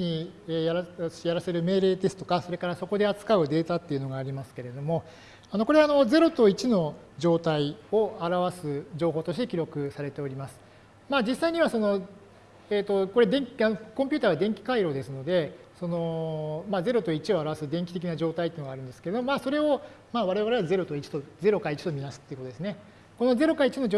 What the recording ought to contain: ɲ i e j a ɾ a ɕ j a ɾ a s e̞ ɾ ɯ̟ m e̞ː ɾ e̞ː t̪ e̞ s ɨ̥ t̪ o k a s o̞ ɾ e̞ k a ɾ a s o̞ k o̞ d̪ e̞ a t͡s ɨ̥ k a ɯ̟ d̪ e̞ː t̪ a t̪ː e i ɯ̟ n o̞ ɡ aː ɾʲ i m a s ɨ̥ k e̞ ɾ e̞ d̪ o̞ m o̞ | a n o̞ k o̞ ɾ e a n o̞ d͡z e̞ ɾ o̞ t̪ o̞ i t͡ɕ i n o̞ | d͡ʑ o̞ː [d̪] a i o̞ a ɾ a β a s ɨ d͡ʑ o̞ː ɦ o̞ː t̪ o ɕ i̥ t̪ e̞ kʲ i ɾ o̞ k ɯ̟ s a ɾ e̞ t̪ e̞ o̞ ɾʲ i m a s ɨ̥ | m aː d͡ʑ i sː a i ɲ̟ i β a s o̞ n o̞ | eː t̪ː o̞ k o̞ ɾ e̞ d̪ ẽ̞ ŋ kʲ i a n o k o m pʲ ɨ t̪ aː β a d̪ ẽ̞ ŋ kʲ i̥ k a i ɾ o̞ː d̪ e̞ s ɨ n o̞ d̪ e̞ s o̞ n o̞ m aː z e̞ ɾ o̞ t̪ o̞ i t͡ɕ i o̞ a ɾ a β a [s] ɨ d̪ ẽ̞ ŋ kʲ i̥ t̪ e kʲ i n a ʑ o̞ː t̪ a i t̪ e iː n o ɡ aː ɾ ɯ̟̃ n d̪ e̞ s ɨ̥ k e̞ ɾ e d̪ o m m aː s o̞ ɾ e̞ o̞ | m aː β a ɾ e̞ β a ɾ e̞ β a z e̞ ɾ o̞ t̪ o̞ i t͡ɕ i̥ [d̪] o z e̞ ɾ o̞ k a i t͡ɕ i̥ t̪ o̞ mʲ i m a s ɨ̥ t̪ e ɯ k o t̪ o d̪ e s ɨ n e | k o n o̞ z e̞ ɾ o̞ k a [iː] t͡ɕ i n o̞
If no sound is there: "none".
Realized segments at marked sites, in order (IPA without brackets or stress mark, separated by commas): t̪, s, t̪, i